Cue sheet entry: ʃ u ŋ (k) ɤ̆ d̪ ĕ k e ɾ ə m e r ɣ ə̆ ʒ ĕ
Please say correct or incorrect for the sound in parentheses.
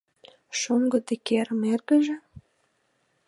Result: incorrect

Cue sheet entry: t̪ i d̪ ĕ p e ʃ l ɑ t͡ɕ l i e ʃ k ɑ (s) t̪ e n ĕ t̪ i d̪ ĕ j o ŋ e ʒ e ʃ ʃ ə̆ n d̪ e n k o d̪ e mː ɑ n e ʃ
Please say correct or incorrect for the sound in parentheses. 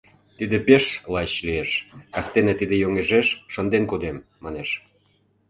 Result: correct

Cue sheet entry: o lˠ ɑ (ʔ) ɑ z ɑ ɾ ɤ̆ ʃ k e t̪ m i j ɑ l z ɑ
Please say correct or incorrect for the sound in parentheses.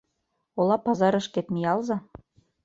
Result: incorrect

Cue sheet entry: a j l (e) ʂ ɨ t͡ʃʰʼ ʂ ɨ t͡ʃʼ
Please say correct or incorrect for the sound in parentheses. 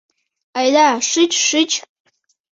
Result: incorrect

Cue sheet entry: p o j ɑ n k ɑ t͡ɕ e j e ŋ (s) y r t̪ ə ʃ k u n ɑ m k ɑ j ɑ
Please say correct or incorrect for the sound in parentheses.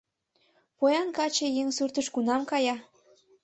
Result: correct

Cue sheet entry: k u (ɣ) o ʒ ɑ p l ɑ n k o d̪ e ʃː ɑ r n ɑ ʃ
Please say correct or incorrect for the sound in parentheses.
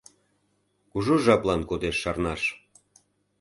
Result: incorrect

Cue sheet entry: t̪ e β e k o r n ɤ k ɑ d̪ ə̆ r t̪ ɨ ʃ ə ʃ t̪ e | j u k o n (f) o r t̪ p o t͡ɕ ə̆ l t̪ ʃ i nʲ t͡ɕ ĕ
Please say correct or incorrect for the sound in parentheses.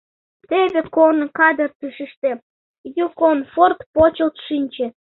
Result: correct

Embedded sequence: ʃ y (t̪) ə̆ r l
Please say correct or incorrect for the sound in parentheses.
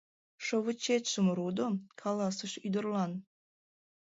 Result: incorrect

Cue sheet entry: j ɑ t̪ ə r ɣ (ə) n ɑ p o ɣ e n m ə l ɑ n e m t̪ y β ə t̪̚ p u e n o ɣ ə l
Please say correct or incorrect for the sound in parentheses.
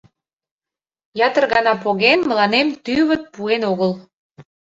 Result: incorrect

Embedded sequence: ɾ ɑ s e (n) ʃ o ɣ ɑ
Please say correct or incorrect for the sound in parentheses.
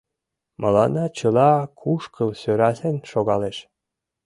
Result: correct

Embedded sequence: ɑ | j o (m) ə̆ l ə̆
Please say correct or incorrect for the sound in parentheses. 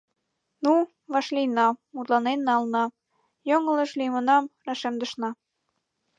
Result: incorrect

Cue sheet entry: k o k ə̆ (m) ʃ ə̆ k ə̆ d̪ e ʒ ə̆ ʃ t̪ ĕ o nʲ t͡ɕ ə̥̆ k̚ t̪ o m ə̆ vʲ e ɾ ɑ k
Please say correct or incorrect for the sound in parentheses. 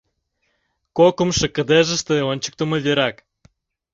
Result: correct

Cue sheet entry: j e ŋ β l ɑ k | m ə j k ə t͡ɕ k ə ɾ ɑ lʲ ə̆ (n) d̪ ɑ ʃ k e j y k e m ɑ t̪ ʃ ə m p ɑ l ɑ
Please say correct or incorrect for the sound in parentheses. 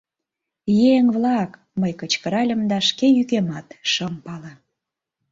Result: incorrect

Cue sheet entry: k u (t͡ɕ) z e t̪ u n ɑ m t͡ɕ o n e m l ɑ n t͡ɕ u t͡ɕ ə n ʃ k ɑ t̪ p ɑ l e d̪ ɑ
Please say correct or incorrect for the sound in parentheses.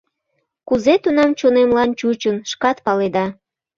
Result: incorrect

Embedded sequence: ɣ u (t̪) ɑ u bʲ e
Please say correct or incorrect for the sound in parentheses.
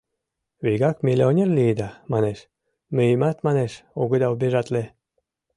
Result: incorrect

